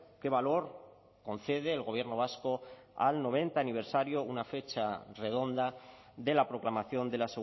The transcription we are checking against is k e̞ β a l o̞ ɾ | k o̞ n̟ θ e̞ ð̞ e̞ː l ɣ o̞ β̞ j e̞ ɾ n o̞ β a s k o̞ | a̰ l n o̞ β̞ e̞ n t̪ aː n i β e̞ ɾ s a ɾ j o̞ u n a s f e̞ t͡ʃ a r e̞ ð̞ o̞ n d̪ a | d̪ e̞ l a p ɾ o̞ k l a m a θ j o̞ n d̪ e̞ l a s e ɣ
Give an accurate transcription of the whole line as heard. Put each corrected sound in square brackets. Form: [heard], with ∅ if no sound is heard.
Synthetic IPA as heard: k e̞ β a l o̞ ɾ | k o̞ n̟ θ e̞ ð̞ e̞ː l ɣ o̞ β̞ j e̞ ɾ n o̞ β a s k o̞ | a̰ l n o̞ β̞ e̞ n t̪ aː n i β e̞ ɾ s a ɾ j o̞ u n a [∅] f e̞ t͡ʃ a r e̞ ð̞ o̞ n d̪ a | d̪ e̞ l a p ɾ o̞ k l a m a θ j o̞ n d̪ e̞ l a s e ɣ